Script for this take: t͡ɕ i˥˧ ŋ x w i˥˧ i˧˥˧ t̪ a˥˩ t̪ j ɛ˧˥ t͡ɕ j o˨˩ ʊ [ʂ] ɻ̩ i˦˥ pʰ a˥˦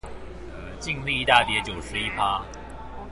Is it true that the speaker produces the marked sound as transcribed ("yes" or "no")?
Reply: yes